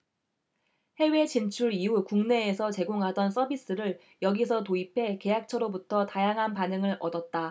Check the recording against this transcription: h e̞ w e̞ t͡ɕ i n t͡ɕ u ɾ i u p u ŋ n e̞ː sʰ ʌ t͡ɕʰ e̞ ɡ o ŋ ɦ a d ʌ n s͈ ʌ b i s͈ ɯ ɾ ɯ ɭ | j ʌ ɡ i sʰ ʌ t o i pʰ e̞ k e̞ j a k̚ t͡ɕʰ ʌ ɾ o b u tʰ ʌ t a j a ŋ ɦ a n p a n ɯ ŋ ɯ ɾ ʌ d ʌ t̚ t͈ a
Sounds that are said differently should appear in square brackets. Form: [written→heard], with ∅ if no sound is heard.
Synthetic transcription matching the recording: h e̞ w e̞ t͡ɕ i n [t͡ɕ→t͡ɕʰ] u ɾ i u [p→k] u ŋ n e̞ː sʰ ʌ [t͡ɕʰ→t͡ɕ] e̞ ɡ o ŋ ɦ a d ʌ n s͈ ʌ b i s͈ ɯ ɾ ɯ ɭ | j ʌ ɡ i sʰ ʌ t o i pʰ e̞ k e̞ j a k̚ t͡ɕʰ ʌ ɾ o b u tʰ ʌ t a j a ŋ ɦ a n p a n ɯ ŋ ɯ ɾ ʌ d ʌ t̚ t͈ a